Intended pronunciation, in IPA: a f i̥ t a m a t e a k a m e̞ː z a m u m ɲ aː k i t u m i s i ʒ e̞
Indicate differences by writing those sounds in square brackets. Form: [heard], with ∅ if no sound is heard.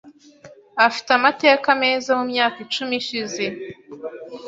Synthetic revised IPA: a f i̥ t a m a t e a k a m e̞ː z a m u m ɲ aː k i [t͡ʃ] u m i [ʃ] i [z] e̞